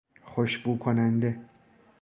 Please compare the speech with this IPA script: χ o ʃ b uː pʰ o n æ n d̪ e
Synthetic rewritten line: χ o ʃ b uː kʰ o n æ n d̪ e